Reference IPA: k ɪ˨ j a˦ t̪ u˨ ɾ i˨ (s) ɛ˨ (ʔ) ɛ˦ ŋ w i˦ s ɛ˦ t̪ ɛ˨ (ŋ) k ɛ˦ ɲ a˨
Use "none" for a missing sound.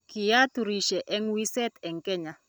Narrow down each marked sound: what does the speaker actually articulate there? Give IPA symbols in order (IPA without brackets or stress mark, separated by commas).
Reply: ʃ, ʔ, ŋ